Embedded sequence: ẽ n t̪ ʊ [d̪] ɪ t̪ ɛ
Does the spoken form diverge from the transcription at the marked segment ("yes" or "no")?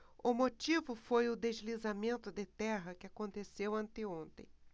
no